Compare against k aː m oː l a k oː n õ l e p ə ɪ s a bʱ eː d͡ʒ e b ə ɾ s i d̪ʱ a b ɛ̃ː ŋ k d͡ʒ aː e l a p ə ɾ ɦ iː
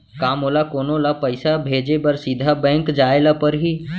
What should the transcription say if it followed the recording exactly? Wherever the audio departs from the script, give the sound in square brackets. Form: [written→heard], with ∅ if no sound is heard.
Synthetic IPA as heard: k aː m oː l a k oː n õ l [e→a] p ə ɪ s a bʱ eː d͡ʒ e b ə ɾ s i d̪ʱ a b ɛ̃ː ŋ k d͡ʒ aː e l a p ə ɾ ɦ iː